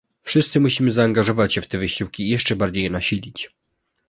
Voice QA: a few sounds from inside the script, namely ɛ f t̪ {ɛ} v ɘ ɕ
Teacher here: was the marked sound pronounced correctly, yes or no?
yes